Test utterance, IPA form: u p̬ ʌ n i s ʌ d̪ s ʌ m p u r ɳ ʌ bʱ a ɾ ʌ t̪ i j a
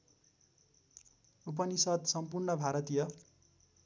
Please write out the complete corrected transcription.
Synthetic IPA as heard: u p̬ ʌ n i s ʌ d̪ s ʌ m p u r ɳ ʌ bʱ a ɾ ʌ t̪ i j ʌ